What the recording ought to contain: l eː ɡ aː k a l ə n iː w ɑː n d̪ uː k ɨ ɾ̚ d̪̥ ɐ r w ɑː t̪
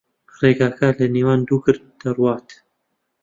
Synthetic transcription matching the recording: r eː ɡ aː k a l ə n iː w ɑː n d̪ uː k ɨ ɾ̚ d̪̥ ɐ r w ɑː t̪